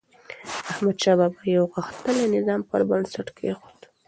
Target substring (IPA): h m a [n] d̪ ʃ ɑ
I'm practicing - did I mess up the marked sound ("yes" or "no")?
yes